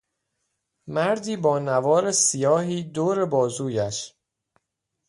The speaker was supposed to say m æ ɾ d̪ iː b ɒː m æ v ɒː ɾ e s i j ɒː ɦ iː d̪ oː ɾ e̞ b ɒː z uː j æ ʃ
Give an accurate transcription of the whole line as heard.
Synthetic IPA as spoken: m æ ɾ d̪ iː b ɒː n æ v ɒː ɾ e s i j ɒː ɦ iː d̪ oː ɾ e̞ b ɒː z uː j æ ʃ

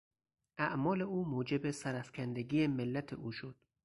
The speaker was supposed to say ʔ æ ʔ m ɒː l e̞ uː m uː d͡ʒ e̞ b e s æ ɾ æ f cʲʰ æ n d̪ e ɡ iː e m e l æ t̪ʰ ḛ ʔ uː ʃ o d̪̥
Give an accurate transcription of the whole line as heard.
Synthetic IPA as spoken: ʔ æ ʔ m ɒː l e̞ uː m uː d͡ʒ e̞ b e s æ ɾ æ f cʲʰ æ n d̪ e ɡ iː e m e lː æ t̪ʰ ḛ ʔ uː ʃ o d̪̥

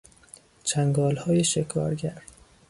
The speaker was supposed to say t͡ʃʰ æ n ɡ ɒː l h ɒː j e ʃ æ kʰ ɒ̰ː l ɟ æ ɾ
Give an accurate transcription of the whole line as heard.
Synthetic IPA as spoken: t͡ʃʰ æ ŋ ɡ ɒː l h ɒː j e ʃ e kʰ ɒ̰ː ɾ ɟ æ ɾ

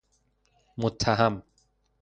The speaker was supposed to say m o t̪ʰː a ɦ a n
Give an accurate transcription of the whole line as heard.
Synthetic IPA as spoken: m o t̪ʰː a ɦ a m

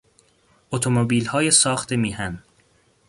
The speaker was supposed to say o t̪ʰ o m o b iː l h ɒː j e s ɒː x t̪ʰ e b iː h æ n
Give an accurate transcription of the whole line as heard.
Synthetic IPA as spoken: o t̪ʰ o m o b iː l h ɒː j e s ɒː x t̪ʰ e m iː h æ n

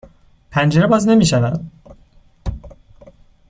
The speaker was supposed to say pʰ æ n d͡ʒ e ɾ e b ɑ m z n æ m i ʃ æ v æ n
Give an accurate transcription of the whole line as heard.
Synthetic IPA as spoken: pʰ æ n d͡ʒ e ɾ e b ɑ z n e m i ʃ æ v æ n

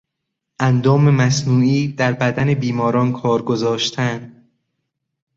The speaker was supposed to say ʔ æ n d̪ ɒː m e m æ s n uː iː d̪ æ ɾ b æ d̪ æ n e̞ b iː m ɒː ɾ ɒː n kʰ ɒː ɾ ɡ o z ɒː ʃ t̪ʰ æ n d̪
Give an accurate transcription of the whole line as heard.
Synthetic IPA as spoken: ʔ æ n d̪ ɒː m e m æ s n uː iː d̪ æ ɾ b æ d̪ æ n e̞ b iː m ɒː ɾ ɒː n kʰ ɒː ɾ ɡ o z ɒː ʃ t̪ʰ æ n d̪

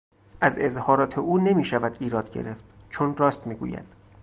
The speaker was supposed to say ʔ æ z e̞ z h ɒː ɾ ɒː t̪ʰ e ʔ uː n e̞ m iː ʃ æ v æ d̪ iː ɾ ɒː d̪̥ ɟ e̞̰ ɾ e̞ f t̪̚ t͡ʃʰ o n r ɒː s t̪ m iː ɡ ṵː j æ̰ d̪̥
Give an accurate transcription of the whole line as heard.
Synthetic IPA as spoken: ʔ æ z e̞ z h ɒː ɾ ɒː t̪ʰ e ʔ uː n e̞ m iː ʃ æ v æ d̪ iː ɾ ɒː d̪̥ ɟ e̞̰ ɾ e̞ f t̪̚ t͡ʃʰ o n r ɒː s t̪ m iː ɡ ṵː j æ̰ d̪̥

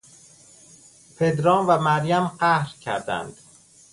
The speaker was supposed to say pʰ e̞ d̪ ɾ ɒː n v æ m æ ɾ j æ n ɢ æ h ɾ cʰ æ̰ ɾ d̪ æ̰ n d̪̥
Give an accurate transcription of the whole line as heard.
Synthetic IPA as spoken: pʰ e̞ d̪ ɾ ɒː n v æ m æ ɾ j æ m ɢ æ h ɾ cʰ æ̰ ɾ d̪ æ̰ n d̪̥

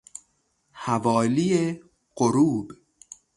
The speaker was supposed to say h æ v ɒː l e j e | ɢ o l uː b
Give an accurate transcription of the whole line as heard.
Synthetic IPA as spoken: h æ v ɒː l i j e | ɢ o ɾ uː b

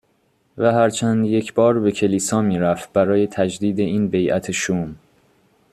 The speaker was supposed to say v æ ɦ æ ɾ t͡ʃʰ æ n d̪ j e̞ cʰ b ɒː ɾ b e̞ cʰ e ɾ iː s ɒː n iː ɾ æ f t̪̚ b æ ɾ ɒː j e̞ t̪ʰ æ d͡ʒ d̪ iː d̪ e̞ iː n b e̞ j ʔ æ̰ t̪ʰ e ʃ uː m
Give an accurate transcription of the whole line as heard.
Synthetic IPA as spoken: v æ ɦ æ ɾ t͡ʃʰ æ n d̪ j e̞ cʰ b ɒː ɾ b e̞ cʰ e l iː s ɒː m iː ɾ æ f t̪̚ b æ ɾ ɒː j e̞ t̪ʰ æ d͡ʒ d̪ iː d̪ e̞ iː n b e̞ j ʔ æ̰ t̪ʰ e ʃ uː m

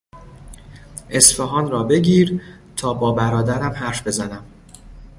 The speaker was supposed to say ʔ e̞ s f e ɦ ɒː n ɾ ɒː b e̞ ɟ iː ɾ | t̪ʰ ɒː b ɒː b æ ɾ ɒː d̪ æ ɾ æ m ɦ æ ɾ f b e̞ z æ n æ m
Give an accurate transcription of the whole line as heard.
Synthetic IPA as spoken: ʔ e̞ s f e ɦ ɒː n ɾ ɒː b e̞ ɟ iː ɾ | t̪ʰ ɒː b ɒː b æ ɾ ɒː d̪ æ ɾ æ m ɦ æ ɾ f b e̞ z æ n æ m

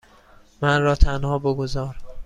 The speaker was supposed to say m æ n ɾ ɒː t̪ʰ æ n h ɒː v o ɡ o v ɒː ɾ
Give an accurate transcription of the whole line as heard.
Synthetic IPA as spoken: m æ n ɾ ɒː t̪ʰ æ n h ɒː b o ɡ o z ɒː ɾ

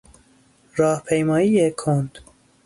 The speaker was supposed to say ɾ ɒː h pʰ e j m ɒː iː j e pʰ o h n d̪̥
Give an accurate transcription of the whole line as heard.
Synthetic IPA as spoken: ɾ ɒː h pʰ e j m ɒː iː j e kʰ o n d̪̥

